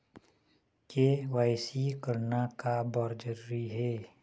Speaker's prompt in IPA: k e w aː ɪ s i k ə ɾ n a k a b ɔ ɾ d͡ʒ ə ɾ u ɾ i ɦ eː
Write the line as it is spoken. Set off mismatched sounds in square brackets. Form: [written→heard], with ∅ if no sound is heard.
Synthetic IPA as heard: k e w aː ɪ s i k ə ɾ n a k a b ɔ ɾ d͡ʒ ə ɾ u ɾ i ɦ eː